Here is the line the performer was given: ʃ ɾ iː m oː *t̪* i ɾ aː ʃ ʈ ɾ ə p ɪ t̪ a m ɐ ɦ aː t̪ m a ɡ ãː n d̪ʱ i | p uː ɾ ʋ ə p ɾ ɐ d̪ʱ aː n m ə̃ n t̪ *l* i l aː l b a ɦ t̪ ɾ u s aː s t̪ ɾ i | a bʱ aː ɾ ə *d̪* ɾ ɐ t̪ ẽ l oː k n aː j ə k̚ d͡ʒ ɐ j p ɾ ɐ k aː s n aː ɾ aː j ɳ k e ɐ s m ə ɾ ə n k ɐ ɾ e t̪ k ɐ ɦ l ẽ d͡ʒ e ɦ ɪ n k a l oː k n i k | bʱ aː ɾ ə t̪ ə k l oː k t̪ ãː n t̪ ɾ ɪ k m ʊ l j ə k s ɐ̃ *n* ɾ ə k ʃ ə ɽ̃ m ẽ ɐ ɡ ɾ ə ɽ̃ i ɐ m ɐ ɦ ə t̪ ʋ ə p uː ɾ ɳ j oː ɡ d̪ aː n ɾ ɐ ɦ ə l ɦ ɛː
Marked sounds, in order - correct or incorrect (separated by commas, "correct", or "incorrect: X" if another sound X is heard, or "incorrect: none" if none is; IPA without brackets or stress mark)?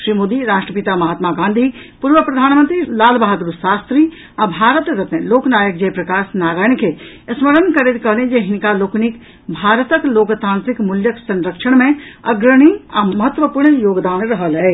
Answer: incorrect: d̪, incorrect: ɾ, incorrect: t̪, correct